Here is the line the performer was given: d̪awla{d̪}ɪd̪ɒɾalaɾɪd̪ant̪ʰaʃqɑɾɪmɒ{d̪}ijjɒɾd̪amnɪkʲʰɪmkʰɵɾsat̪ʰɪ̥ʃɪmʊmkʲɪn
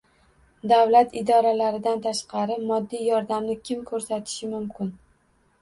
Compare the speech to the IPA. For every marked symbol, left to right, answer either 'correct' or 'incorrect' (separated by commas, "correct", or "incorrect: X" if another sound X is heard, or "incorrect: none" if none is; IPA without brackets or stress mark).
incorrect: t̪, incorrect: d̪ː